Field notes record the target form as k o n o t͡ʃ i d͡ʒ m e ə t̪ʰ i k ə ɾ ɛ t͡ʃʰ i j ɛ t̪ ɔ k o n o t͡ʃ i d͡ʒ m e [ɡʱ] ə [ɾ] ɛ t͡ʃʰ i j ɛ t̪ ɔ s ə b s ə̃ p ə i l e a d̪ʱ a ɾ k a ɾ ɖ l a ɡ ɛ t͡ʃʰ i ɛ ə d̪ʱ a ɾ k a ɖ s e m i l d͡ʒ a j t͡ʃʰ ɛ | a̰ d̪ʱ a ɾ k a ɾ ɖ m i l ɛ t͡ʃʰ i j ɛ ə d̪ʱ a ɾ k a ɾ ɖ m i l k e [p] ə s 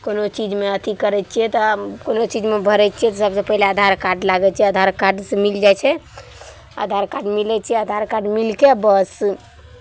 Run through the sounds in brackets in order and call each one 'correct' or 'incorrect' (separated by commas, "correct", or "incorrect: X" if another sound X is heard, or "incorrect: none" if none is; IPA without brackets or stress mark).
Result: incorrect: bʱ, correct, incorrect: b